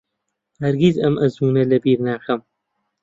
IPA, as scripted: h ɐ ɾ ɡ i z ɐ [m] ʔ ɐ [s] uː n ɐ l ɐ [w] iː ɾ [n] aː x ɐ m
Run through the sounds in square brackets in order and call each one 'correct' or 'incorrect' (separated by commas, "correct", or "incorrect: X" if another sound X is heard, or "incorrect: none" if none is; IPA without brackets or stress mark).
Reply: correct, incorrect: z, incorrect: b, correct